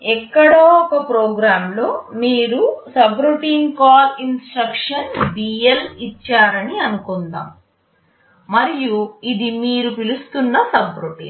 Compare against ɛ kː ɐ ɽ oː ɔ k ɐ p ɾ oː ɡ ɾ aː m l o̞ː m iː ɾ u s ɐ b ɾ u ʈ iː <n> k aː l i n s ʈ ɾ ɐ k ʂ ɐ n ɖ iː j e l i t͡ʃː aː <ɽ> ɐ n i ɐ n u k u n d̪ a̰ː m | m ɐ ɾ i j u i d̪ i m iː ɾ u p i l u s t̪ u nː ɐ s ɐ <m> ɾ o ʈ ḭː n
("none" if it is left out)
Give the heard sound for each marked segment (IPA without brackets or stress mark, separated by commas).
n, ɾ, b